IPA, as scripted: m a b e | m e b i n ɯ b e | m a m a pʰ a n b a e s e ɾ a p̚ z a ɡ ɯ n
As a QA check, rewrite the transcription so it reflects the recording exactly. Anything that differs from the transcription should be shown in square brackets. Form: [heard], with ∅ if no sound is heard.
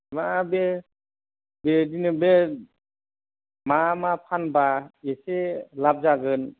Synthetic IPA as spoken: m a b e | [b] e [d] i n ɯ b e | m a m a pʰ a n b a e s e [l] a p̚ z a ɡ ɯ n